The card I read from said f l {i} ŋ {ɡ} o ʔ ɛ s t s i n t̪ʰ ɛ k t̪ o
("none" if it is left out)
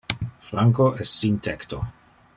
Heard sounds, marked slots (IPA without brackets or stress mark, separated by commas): a, k